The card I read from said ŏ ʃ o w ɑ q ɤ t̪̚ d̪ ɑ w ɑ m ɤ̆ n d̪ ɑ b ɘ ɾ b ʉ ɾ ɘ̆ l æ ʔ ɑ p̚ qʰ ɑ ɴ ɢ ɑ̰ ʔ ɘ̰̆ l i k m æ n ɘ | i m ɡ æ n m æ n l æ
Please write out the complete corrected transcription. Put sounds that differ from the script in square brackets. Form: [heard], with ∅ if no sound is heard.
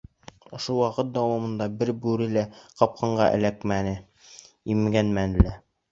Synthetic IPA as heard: ŏ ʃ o w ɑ q ɤ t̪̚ d̪ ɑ w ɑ m ɤ̆ n d̪ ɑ b ɘ ɾ b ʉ ɾ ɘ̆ l æ [q] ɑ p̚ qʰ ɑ ɴ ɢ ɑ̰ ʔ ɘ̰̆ l [æ] k m æ n ɘ | i m ɡ æ n m æ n l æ